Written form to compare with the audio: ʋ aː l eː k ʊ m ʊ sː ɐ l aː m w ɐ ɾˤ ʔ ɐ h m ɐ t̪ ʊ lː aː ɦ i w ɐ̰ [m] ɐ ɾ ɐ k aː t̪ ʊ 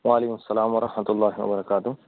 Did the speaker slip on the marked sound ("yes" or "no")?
yes